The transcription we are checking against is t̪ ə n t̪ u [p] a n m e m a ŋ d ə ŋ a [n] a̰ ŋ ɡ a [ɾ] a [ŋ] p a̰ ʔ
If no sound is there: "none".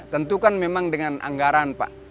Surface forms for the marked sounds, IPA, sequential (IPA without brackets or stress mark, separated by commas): k, n, ɾ, n